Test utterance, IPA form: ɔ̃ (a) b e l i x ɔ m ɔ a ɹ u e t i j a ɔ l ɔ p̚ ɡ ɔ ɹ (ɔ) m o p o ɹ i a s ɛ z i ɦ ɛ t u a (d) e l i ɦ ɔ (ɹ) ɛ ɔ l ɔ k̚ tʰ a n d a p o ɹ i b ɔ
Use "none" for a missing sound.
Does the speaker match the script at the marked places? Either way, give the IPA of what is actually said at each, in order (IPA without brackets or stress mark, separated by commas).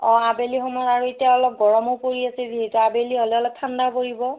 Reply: a, ɔ, b, l